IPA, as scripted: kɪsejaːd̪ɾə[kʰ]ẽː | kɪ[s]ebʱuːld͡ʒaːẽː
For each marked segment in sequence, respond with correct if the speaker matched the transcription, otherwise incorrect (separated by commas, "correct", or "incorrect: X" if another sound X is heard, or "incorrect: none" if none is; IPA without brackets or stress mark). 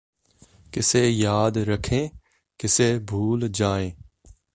correct, correct